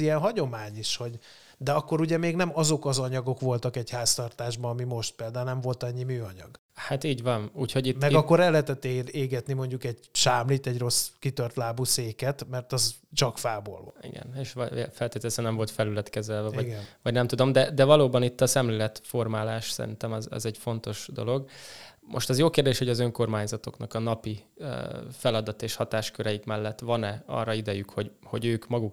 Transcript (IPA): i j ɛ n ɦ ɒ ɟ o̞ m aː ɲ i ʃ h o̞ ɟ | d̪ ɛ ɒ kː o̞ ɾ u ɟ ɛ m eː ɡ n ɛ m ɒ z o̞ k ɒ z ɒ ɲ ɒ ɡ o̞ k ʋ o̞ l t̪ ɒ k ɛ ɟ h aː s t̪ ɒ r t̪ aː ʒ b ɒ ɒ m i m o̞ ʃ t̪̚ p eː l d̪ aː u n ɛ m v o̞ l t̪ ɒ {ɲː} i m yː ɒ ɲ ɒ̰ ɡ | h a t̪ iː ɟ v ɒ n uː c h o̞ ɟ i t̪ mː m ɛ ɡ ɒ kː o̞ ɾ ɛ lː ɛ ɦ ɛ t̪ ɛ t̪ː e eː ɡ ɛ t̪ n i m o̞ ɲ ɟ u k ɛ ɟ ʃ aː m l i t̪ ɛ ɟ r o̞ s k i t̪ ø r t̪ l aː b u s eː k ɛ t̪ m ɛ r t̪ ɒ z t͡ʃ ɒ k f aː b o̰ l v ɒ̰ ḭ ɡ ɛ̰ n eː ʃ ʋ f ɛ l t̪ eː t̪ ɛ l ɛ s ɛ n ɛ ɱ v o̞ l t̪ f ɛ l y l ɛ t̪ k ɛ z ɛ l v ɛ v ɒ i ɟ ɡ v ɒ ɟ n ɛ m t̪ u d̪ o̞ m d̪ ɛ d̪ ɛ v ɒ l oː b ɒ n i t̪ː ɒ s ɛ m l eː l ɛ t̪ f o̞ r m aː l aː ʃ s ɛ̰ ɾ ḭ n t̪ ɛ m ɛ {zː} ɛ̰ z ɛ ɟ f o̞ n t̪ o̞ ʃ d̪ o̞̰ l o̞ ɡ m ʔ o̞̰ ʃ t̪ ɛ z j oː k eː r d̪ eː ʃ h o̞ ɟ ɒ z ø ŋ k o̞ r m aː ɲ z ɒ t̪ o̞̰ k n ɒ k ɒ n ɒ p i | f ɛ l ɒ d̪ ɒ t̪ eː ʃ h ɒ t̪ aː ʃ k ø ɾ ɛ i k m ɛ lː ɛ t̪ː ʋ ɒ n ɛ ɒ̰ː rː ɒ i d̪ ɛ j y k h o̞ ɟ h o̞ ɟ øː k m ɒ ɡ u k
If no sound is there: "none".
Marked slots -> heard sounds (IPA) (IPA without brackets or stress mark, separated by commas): ɲː, z